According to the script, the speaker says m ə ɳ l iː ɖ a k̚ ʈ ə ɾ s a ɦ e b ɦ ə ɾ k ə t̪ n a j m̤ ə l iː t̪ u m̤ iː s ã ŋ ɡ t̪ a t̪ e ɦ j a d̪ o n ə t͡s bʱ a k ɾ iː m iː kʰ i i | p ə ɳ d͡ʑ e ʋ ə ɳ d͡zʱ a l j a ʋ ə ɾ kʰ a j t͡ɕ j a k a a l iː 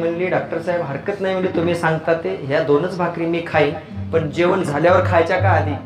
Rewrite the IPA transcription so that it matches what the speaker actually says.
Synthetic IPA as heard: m ə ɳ l iː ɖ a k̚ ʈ ə ɾ s a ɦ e b ɦ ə ɾ k ə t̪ n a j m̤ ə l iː t̪ u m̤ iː s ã ŋ ɡ t̪ a t̪ e ɦ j a d̪ o n ə t͡s bʱ a k ɾ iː m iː kʰ a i | p ə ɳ d͡ʑ e ʋ ə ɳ d͡zʱ a l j a ʋ ə ɾ kʰ a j t͡ɕ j a k a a l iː